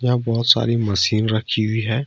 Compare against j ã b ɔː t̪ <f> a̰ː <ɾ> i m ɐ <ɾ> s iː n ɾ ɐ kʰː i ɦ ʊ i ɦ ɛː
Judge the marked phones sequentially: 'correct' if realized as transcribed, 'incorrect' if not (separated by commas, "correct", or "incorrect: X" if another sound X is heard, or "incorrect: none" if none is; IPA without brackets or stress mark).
incorrect: s, correct, incorrect: none